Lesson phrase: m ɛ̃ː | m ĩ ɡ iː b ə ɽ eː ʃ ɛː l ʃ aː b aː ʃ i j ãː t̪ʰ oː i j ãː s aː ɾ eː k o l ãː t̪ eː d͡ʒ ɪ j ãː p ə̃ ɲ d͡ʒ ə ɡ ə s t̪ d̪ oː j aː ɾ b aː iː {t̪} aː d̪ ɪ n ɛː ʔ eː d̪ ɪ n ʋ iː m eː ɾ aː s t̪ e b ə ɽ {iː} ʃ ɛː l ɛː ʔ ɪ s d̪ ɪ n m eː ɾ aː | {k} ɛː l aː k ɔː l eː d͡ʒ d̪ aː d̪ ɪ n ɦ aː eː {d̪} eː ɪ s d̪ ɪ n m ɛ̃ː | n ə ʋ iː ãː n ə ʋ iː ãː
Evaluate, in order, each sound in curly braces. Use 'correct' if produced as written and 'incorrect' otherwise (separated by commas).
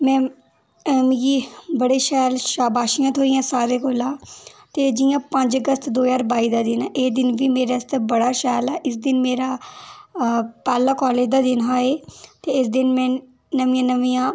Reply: incorrect, incorrect, incorrect, incorrect